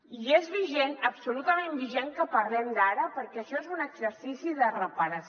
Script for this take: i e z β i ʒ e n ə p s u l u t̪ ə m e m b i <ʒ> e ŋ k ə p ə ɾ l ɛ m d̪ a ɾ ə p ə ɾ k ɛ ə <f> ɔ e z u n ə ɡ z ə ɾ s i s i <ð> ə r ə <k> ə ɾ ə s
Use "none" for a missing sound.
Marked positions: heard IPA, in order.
ʒ, ʃ, ð, p

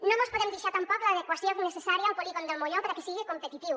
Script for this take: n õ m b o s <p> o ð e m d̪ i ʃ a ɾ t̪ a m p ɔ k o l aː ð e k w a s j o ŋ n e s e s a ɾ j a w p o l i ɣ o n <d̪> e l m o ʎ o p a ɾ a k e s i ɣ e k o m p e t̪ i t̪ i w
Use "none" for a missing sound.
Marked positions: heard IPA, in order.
p, d̪

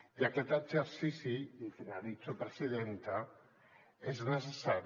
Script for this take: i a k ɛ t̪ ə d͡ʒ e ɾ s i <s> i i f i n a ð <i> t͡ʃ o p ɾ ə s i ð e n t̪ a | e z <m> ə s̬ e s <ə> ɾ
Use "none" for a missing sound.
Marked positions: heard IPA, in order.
s, i, n, a

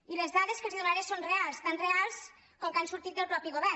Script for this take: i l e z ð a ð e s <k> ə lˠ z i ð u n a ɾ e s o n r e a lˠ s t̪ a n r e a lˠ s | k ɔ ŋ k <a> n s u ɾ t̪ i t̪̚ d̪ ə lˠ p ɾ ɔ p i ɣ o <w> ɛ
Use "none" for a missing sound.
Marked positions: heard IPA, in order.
k, a, β

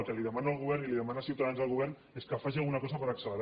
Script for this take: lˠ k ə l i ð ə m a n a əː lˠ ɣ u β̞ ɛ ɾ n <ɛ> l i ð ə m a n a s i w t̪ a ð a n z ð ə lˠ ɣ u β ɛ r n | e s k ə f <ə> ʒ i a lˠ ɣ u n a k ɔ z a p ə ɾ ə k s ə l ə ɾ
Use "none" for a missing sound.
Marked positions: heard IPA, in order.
i, a

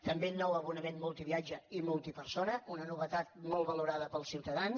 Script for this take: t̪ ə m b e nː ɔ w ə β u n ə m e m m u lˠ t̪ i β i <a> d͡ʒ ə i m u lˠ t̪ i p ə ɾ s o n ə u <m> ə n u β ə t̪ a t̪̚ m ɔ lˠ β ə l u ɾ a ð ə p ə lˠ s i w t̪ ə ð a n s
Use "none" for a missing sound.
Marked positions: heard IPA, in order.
a, n

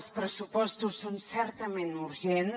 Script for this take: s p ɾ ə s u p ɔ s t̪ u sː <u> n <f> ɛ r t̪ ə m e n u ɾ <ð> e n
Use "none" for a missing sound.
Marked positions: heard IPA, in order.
o, s, ʒ

